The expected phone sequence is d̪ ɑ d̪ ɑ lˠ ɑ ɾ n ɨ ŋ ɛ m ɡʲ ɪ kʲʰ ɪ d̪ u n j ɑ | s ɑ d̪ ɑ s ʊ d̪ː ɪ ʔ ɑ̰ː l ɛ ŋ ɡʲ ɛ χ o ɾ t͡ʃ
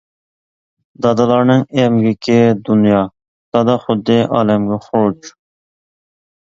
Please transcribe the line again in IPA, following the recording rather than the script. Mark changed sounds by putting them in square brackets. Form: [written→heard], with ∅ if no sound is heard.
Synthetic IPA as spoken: d̪ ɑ d̪ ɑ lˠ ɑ ɾ n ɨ ŋ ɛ m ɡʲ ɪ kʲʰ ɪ d̪ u n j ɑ | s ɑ d̪ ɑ [s→χ] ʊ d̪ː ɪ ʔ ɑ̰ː l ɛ [ŋ→m] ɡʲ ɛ χ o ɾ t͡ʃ